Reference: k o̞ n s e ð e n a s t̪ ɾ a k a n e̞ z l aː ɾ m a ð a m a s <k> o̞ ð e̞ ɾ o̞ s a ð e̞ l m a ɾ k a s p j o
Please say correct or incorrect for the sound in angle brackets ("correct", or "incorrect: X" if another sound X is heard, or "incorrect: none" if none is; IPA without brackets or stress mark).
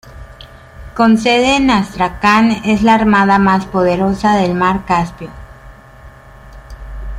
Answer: incorrect: p